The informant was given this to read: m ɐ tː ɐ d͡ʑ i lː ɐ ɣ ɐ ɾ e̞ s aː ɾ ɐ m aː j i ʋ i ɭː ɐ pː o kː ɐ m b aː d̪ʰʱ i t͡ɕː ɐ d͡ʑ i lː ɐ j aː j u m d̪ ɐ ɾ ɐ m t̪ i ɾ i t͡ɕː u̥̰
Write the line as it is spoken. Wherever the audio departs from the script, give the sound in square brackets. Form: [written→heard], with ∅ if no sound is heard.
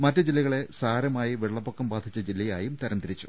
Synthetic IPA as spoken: m ɐ tː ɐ d͡ʑ i lː ɐ ɣ ɐ [ɾ→ɭ] e̞ s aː ɾ ɐ m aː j i ʋ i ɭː ɐ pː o kː ɐ m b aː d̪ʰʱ i t͡ɕː ɐ d͡ʑ i lː ɐ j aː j u m [d̪→t̪] ɐ ɾ ɐ m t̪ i ɾ i t͡ɕː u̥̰